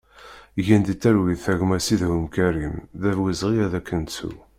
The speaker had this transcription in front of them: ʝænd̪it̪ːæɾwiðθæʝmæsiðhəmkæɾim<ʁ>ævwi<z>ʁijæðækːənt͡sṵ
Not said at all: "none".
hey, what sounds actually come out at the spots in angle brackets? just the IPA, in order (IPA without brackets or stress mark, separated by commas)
ð, z